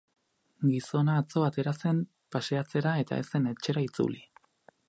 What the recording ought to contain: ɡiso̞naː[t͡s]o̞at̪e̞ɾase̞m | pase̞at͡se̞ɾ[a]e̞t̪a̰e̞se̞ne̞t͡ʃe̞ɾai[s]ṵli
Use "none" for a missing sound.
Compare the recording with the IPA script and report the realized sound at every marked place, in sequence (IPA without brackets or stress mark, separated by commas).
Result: t͡s, a, t͡s